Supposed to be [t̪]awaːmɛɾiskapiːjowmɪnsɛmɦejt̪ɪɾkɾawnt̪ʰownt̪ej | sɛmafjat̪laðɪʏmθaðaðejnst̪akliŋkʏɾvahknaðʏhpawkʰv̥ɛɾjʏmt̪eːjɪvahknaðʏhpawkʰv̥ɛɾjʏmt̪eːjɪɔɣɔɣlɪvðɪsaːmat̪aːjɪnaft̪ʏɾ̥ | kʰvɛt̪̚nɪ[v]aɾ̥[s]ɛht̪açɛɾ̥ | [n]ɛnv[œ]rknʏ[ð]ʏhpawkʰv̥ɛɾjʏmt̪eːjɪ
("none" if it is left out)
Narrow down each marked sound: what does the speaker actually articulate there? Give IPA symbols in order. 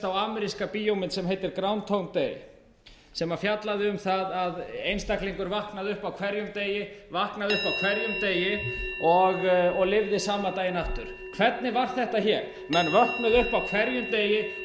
t̪, v, θ, m, œ, ð

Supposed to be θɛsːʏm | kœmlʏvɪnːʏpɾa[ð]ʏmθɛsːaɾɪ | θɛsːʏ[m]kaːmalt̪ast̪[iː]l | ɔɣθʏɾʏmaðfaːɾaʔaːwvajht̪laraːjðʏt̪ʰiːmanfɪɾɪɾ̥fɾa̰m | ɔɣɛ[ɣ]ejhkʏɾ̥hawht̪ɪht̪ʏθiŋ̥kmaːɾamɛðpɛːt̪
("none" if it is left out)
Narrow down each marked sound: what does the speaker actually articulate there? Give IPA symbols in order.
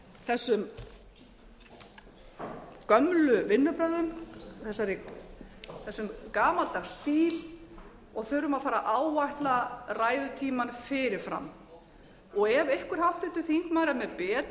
ð, m, iː, v

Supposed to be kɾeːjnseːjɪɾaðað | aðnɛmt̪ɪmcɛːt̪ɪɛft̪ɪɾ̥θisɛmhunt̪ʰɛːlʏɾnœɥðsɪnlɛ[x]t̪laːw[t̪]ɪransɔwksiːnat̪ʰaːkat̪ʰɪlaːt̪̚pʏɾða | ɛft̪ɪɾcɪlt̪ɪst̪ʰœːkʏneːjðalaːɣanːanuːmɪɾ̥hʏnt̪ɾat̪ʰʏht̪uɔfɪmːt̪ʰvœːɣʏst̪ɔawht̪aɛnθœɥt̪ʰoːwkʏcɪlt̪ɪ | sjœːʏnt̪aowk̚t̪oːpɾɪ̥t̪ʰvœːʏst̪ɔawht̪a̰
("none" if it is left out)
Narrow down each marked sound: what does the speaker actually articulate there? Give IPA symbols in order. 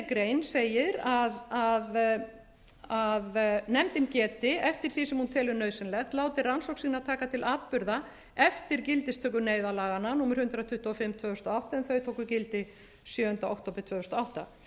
x, t̪

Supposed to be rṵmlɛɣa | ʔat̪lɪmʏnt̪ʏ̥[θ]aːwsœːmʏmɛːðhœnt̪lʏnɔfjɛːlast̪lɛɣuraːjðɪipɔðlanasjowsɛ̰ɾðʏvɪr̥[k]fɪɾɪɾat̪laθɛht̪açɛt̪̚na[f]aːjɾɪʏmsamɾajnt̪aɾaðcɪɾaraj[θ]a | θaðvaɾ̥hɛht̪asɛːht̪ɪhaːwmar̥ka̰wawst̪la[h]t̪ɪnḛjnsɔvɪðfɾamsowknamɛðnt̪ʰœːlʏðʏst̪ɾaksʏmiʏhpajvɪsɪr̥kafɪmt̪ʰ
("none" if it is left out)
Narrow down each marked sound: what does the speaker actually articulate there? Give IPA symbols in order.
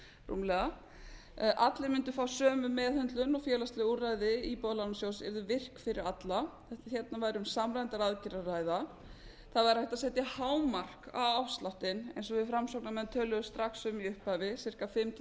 f, k, v, ð, h

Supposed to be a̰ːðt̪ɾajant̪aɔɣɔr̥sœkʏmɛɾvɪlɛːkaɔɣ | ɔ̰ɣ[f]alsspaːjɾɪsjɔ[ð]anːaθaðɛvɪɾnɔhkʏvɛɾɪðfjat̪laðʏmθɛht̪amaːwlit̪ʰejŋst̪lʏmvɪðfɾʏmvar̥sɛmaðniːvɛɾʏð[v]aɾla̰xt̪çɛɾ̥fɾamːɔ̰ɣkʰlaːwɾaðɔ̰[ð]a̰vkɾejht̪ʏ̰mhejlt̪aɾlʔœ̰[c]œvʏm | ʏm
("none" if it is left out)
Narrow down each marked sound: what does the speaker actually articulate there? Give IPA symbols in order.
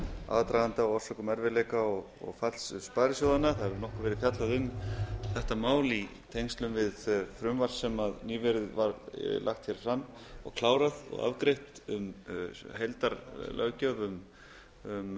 f, ð, v, ɣ, c

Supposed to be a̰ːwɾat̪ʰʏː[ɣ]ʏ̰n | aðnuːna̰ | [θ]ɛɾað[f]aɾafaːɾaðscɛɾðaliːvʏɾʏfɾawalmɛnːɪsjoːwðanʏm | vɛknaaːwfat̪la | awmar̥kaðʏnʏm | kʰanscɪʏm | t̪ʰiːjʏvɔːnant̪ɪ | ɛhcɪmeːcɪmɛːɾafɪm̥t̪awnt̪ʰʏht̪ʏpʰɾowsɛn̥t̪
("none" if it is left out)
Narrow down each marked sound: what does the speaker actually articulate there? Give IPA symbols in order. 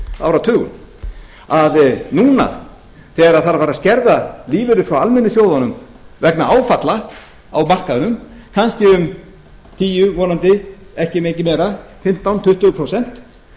ɣ, θ, θ

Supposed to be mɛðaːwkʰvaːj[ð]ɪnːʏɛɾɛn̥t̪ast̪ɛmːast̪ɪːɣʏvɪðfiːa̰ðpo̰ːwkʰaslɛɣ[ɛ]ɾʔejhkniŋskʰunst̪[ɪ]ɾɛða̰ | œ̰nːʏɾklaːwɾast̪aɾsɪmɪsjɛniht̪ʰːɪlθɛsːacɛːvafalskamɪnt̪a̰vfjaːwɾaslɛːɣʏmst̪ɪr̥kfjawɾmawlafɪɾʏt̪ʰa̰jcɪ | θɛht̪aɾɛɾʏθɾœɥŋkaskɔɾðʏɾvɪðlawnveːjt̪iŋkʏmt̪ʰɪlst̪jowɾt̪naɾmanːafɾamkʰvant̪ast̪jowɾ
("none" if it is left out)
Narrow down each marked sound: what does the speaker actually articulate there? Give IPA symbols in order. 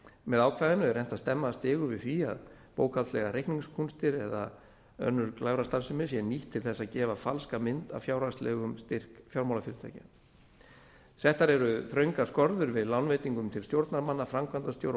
ð, a, ɪ

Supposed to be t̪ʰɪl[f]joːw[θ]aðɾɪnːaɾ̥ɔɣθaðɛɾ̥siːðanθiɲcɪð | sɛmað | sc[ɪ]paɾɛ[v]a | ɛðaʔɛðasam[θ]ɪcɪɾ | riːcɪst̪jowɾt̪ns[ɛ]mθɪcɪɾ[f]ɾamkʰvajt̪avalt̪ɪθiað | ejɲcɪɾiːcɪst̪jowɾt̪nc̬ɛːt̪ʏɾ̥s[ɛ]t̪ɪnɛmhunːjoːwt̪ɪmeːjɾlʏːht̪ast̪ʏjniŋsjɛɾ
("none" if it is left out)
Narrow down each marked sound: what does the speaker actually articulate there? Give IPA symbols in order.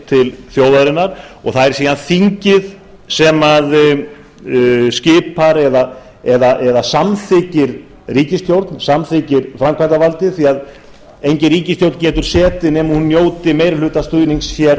θ, ð, ɪː, ð, θ, a, f, ɛː

